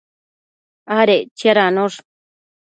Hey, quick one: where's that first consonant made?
tongue tip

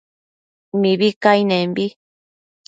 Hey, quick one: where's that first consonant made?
lips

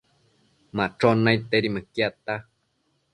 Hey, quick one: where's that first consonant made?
lips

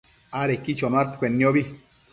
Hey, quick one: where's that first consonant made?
tongue tip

